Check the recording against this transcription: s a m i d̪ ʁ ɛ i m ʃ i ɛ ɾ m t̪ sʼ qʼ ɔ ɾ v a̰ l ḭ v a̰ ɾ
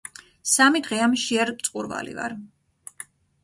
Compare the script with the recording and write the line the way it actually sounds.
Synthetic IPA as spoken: s a m i d̪ ʁ ɛ a m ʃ i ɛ ɾ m t̪ sʼ qʼ u ɾ v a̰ l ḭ v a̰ ɾ